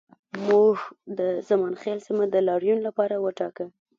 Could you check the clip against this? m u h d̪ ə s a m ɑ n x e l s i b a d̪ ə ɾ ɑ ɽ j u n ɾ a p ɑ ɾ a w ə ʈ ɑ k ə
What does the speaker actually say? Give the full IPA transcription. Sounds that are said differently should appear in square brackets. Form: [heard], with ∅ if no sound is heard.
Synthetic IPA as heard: m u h d̪ ə [z] a m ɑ n x e l s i [m] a d̪ ə [l] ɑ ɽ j u n [l] a p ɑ ɾ a w ə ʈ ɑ k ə